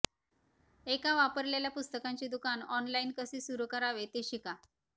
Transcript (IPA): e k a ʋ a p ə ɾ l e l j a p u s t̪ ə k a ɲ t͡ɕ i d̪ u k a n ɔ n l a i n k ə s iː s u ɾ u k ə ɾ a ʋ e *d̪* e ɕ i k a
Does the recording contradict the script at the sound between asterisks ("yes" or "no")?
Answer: yes